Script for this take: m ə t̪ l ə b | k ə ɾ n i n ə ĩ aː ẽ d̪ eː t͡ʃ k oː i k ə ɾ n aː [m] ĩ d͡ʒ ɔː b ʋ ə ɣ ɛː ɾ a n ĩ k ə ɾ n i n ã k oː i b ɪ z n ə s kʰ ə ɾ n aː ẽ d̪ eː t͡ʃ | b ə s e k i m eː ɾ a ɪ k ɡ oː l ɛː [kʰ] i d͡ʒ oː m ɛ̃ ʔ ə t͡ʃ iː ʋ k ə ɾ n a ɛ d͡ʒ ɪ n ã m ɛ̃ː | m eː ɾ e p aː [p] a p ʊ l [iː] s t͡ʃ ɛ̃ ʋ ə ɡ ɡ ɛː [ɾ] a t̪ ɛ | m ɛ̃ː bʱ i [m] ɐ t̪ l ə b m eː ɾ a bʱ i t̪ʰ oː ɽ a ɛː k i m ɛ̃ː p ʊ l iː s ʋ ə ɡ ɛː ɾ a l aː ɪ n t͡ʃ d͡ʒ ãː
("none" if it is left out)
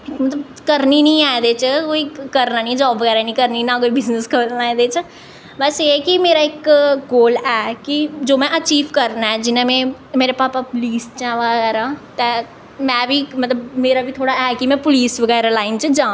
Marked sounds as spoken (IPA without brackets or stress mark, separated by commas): n, k, p, iː, ɾ, m